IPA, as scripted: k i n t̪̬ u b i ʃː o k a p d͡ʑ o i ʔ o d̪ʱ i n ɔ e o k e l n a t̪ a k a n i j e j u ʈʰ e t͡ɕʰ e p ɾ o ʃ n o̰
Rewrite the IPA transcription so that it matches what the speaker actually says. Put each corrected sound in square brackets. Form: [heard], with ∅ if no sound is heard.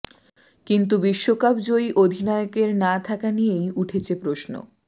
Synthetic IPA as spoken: k i n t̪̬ u b i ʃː o k a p d͡ʑ o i ʔ o d̪ʱ i n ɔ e o k e [ɾ] n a [t̪ʰ] a k a n i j e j u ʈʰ e t͡ɕʰ e p ɾ o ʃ n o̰